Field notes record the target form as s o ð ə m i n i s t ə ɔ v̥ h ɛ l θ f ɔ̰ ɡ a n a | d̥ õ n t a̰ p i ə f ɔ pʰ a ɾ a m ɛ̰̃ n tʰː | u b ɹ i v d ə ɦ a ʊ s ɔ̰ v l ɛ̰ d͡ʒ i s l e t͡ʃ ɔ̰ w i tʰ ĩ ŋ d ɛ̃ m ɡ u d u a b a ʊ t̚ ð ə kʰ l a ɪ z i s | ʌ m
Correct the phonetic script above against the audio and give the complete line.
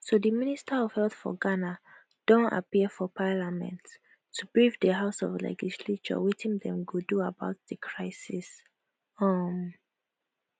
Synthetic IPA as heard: s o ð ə m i n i s t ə ɔ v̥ h ɛ l θ f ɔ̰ ɡ a n a | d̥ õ n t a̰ p i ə f ɔ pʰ a l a m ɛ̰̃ n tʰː | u b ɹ i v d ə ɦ a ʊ s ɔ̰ v l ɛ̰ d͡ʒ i s l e t͡ʃ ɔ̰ w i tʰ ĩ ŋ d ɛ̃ m ɡ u d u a b a ʊ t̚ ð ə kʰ ɹ a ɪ s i s | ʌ m